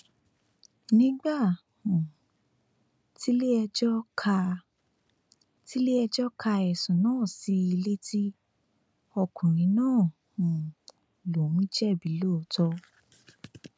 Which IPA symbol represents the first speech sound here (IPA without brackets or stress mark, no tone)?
n